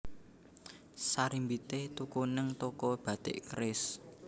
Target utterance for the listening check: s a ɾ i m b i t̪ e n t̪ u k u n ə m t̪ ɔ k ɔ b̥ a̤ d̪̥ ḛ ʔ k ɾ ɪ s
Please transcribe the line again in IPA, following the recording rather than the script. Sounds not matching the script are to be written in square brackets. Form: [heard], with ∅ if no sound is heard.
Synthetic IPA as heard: s a ɾ i m b i t̪ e [∅] t̪ u k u n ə [ŋ] t̪ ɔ k ɔ b̥ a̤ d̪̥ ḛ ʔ k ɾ ɪ s

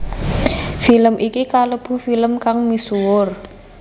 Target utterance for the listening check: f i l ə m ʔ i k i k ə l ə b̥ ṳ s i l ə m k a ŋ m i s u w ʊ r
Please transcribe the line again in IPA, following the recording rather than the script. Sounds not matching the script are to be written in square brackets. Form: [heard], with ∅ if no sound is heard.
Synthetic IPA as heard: f i l ə m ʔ i k i k [a] l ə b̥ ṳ [f] i l ə m k a ŋ m i s u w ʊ r

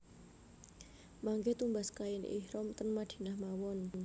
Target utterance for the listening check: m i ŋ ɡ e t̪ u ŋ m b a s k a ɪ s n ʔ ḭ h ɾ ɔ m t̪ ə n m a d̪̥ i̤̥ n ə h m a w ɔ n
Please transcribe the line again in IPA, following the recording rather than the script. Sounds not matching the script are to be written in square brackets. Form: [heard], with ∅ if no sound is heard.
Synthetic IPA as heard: m [a] ŋ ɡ e t̪ u [∅] m b a s k a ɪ [∅] n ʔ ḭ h ɾ ɔ m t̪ ə n m a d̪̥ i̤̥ n [a] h m a w ɔ n

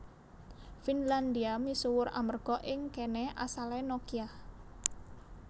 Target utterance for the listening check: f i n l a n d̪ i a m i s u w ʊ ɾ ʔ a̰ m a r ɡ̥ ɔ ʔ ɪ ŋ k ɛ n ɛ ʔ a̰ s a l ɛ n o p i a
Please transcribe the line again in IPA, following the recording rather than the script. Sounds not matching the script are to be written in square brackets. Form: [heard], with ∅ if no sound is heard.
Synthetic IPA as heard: f i n l a n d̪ i a m i s u w ʊ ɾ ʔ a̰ m [ə] r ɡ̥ ɔ ʔ ɪ ŋ k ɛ n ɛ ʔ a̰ s a l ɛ n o [k] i a

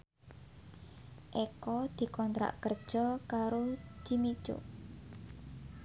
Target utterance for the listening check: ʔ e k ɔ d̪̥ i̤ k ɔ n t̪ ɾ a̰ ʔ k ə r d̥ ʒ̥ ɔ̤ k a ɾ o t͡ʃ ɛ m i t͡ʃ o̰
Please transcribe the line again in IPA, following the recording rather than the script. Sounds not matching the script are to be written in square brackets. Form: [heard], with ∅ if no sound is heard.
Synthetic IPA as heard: ʔ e k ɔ d̪̥ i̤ k ɔ n t̪ ɾ a̰ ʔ k ə r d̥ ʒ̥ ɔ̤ k a ɾ o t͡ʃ [i] m i t͡ʃ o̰

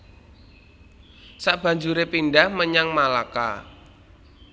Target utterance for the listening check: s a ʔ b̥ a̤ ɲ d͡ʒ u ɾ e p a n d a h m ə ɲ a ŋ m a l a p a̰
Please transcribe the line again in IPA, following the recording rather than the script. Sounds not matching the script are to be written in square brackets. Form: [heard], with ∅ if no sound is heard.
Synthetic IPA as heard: s a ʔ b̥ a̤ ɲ d͡ʒ u ɾ e p [i] n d a h m ə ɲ a ŋ m a l a [k] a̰

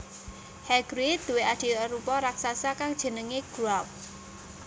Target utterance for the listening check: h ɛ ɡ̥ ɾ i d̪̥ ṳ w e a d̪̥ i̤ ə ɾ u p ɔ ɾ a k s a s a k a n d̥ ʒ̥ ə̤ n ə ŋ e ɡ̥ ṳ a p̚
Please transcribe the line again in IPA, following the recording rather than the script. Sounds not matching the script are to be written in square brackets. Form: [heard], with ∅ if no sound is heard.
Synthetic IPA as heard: h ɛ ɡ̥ ɾ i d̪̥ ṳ w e a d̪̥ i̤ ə ɾ u p ɔ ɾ a k s a s a k a [ŋ] d̥ ʒ̥ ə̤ n ə ŋ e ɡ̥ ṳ a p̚

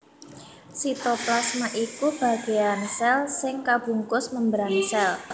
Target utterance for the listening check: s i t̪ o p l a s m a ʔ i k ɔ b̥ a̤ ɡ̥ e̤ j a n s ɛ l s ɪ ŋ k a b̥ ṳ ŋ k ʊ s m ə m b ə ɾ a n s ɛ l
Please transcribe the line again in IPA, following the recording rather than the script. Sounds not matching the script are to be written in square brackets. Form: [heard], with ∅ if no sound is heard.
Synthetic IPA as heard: s i t̪ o p l a s m a ʔ i k [u] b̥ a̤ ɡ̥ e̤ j a n s ɛ l s ɪ ŋ k a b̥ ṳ ŋ k ʊ s m ə m b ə ɾ a n s ɛ l

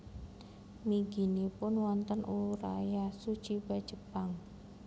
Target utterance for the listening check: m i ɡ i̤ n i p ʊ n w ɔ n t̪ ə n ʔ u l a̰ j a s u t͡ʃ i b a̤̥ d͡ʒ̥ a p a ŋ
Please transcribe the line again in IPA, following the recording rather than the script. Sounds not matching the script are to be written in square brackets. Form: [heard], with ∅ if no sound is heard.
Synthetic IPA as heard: m i ɡ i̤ n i p ʊ n w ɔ n t̪ ə n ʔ u [ɾ] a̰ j a s u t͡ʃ i b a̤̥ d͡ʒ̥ [ə] p a ŋ

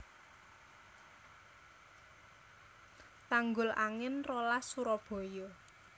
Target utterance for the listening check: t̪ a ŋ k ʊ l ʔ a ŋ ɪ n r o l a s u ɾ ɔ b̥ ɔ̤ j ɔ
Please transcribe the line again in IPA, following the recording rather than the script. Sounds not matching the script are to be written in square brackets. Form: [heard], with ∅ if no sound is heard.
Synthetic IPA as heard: t̪ a ŋ [ɡ] ʊ l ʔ a ŋ ɪ n r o l a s u ɾ ɔ b̥ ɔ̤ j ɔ

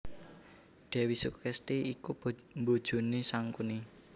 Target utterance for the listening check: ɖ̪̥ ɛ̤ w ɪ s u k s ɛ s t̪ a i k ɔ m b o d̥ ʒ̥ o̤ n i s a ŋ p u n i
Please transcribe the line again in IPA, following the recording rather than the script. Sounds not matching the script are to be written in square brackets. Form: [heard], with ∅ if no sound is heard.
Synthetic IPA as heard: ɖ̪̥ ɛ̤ w [i] s u k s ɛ s t̪ [i] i k [u] m b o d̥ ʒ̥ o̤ n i s a ŋ [k] u n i

